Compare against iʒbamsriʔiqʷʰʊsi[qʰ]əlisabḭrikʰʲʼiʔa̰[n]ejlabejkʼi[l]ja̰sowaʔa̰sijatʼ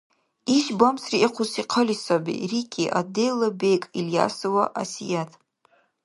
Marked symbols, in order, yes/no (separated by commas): yes, no, yes